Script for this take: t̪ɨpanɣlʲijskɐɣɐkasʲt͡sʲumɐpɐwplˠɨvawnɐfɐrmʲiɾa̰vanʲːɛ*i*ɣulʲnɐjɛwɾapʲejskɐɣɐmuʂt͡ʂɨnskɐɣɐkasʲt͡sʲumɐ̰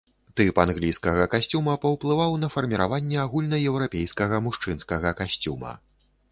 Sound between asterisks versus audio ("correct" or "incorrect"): incorrect